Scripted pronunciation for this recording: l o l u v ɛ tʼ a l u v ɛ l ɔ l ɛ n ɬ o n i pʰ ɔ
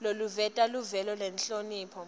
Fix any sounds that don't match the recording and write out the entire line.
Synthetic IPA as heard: l o l u v ɛ tʼ a l u v ɛ l ɔ l ɛ n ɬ o n iː pʰ ɔ